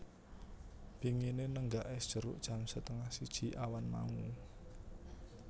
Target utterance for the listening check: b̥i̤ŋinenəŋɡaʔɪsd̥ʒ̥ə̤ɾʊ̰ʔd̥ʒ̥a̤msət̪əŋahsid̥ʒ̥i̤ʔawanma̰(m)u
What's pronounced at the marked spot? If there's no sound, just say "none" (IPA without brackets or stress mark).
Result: ŋ